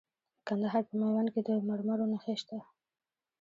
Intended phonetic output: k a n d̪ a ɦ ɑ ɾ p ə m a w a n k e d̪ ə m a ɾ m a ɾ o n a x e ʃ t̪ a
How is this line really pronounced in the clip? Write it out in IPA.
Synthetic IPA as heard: k a n d̪ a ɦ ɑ ɾ p ə m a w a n k e d̪ ə m a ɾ m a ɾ o n a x e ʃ t̪ a